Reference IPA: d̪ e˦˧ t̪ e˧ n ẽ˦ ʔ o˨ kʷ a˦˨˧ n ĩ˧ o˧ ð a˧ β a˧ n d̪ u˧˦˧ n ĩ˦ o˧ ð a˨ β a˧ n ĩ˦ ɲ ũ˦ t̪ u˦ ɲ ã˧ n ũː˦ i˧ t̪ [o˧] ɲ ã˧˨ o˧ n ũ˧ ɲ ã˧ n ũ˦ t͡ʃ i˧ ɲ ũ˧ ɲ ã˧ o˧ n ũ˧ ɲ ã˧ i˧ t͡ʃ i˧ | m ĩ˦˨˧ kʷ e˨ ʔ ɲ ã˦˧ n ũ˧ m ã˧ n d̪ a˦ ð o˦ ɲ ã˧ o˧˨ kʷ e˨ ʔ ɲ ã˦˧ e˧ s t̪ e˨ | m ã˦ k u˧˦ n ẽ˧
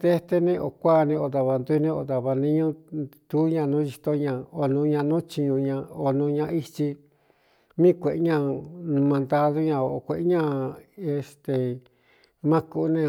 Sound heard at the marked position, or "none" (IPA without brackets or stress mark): o˧